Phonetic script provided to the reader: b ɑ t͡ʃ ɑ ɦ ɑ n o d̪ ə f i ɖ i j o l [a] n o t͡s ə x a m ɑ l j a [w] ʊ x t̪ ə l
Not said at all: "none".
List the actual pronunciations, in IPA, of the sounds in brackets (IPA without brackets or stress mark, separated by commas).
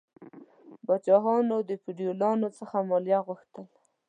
ɑ, ɣ